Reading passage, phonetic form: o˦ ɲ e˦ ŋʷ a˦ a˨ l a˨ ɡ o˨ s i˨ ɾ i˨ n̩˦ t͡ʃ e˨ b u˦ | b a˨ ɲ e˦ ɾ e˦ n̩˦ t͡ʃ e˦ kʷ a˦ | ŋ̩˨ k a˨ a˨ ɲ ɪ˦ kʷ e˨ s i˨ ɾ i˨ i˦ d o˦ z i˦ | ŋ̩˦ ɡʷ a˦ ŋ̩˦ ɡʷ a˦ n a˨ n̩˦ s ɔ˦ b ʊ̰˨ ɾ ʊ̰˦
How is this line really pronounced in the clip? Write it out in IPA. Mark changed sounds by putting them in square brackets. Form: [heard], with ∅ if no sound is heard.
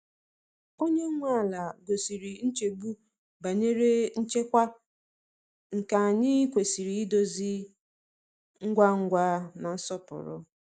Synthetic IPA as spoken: o˦ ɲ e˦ ŋʷ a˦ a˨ l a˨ ɡ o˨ s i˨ ɾ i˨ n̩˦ t͡ʃ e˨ b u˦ | b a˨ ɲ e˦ ɾ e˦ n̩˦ t͡ʃ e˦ kʷ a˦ | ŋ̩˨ k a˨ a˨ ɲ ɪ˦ kʷ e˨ s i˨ ɾ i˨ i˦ d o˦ z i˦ | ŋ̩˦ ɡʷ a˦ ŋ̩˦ ɡʷ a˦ n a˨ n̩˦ s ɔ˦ [p] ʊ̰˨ ɾ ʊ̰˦